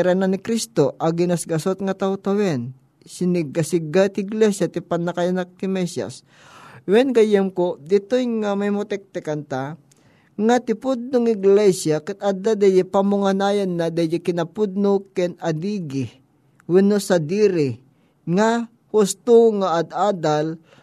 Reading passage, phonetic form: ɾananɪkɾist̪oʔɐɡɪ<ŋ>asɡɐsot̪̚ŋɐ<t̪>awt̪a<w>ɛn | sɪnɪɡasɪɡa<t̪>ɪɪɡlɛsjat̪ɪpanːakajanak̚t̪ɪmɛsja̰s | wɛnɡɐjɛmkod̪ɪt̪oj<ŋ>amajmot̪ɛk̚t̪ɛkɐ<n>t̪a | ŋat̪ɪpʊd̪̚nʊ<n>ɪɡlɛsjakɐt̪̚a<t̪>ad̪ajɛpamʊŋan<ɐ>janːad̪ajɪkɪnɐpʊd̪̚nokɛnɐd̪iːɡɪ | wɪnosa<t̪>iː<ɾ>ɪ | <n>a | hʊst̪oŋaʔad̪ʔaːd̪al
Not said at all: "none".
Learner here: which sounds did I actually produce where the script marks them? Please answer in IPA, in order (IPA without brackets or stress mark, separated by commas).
n, t̪, w, t̪, ŋ, n, ŋ, d̪, a, d̪, ɾ, ŋ